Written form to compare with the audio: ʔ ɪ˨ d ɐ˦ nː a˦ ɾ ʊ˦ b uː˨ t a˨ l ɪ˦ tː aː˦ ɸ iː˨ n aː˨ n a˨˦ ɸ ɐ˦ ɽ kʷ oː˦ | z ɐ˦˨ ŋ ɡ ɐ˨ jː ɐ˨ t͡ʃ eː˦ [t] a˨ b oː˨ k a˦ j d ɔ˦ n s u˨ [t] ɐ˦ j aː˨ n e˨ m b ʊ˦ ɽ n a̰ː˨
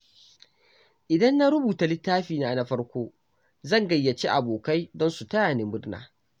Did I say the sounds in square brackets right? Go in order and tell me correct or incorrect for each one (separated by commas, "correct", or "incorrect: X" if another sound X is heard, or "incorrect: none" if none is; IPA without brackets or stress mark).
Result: incorrect: ʔ, correct